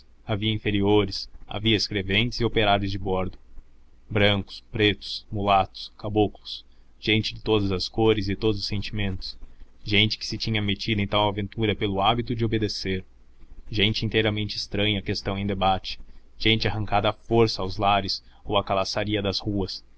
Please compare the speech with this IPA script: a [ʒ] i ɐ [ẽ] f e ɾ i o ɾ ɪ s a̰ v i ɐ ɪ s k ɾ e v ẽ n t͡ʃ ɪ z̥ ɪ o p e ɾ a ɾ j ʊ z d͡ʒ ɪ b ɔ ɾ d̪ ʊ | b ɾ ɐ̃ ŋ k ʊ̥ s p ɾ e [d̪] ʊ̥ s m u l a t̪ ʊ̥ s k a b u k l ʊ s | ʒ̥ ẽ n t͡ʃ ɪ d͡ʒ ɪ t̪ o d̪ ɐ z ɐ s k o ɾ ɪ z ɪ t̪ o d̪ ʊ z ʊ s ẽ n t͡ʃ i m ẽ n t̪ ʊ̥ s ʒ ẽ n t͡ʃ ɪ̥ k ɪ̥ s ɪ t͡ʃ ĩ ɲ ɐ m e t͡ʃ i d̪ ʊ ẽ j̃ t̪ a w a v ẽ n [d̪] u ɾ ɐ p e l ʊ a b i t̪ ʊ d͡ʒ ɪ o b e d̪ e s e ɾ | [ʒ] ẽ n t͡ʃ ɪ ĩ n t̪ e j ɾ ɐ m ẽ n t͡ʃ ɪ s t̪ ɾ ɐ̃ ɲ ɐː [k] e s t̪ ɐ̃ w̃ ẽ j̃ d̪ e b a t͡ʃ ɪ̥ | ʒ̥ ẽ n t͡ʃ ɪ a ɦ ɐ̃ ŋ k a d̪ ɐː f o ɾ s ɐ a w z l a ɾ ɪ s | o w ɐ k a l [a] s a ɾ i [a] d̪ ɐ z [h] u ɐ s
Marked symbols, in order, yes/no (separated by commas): no, no, no, no, yes, yes, yes, no, yes